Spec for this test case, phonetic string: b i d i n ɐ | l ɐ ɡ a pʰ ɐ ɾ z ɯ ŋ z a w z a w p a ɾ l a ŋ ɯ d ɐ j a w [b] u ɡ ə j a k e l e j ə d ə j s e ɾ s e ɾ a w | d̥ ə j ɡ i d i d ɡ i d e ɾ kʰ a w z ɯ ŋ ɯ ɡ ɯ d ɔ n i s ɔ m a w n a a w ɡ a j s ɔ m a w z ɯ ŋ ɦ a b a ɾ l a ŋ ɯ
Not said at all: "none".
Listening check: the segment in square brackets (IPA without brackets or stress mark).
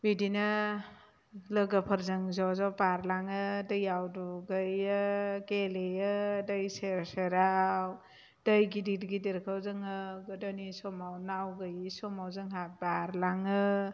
d